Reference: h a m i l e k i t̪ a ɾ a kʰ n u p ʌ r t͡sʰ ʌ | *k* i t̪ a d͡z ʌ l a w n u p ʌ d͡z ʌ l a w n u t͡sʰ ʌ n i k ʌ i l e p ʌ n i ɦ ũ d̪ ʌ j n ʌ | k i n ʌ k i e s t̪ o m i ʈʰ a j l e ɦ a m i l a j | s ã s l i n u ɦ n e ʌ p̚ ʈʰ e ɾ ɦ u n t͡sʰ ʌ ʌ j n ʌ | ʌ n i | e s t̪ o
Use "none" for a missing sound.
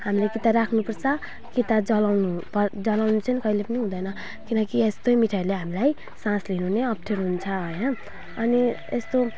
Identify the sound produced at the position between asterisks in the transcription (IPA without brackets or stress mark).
k